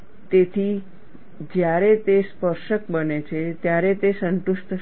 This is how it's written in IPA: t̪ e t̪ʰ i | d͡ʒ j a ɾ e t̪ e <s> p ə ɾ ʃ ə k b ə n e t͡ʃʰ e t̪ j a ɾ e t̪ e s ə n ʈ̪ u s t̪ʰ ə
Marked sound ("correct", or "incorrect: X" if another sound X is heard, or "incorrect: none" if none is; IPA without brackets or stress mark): correct